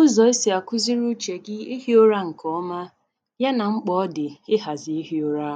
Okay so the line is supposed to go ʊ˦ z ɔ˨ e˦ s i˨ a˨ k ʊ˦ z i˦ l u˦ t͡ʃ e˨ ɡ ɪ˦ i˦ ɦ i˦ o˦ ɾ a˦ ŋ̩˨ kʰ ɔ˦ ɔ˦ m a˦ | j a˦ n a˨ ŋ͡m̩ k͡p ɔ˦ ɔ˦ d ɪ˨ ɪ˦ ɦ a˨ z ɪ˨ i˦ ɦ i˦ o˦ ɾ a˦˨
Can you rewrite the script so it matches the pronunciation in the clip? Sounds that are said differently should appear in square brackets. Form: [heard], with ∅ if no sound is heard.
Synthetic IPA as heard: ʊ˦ z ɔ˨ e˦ s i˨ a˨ k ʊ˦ z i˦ [ɾ] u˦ t͡ʃ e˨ ɡ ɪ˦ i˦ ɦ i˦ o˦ ɾ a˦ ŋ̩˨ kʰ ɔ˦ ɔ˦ m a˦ | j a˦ n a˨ ŋ͡m̩ k͡p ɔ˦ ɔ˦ d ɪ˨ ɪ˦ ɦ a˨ z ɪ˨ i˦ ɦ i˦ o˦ ɾ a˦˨